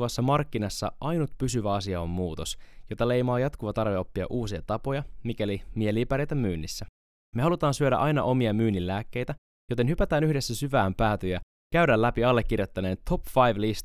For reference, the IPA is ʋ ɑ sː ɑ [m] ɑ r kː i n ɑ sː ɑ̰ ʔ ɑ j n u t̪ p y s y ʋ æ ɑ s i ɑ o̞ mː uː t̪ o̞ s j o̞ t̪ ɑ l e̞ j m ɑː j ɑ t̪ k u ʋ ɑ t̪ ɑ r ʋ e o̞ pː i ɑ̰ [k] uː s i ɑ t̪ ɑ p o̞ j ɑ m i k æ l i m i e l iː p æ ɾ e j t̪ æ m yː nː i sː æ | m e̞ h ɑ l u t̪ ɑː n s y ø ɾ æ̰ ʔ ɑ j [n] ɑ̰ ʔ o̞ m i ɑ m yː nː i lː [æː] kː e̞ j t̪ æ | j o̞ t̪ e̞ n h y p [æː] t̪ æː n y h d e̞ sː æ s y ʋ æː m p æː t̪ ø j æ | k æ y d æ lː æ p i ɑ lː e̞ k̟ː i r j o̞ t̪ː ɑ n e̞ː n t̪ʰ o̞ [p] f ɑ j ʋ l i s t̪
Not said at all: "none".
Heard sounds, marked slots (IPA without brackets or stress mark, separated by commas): m, ʔ, n, æː, æ, p